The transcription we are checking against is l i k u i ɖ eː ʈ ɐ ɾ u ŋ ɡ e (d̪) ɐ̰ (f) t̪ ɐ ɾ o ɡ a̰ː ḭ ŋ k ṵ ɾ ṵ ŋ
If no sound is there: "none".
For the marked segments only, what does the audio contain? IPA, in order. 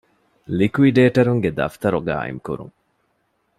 d̪, f

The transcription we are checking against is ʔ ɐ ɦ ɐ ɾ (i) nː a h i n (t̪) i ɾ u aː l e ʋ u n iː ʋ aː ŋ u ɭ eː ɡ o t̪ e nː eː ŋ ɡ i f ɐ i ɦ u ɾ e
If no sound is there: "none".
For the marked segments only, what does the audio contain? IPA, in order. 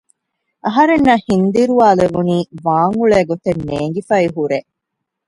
e, d̪

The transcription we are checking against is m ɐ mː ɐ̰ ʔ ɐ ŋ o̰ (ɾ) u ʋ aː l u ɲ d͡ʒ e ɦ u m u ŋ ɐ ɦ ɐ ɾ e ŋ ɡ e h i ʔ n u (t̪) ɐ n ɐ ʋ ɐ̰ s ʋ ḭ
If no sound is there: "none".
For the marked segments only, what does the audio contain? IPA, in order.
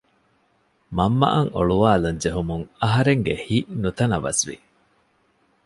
ɭ, t̪

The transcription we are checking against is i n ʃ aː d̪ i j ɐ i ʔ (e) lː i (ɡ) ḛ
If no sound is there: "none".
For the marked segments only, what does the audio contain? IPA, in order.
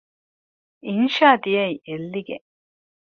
e, ɡ

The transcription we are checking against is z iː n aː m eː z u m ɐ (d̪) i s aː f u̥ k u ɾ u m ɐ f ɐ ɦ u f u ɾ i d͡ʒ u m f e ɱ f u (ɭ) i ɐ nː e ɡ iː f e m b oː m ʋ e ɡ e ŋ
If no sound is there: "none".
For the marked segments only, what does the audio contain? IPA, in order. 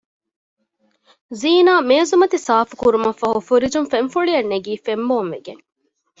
t̪, ɭ

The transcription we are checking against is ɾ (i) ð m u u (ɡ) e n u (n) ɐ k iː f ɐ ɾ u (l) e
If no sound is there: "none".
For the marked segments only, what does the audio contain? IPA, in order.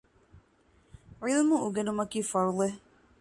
i, ɡ, m, l

